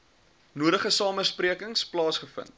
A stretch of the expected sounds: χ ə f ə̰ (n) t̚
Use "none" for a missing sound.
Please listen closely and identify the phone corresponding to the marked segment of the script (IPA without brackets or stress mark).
n